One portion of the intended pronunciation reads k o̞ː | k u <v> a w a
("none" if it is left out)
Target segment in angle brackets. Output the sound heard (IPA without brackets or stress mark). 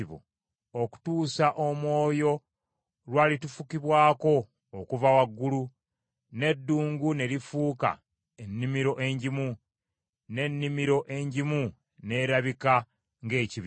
v